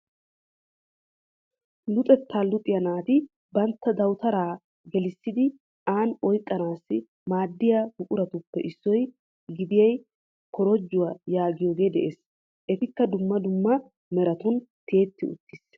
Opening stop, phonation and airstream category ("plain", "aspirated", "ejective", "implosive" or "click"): ejective